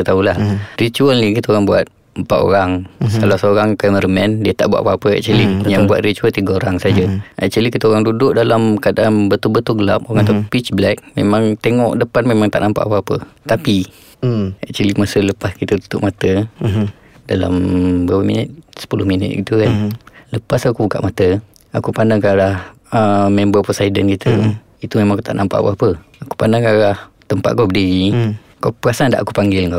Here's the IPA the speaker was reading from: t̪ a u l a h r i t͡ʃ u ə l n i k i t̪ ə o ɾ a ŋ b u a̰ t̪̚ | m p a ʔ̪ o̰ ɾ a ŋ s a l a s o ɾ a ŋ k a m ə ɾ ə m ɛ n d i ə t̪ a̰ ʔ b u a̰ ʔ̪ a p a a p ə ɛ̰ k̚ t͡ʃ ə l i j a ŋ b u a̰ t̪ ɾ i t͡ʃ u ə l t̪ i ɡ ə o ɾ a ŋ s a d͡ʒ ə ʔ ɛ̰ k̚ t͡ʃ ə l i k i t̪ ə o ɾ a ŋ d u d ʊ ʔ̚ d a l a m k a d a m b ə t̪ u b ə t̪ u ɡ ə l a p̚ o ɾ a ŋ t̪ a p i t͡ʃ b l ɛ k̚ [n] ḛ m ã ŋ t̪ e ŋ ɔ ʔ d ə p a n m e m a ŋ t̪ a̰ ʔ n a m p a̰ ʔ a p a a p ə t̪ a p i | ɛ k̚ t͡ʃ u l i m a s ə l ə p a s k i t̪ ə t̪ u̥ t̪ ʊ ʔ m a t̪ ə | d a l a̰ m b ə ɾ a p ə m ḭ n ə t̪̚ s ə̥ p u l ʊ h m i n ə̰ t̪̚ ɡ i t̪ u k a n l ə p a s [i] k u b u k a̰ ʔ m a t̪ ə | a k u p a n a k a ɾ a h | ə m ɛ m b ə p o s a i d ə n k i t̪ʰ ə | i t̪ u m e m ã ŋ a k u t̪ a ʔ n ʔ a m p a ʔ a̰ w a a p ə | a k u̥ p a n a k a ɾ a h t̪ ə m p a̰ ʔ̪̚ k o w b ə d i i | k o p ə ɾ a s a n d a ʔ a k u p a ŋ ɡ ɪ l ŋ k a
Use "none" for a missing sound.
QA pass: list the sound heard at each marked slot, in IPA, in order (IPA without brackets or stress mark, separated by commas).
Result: m, a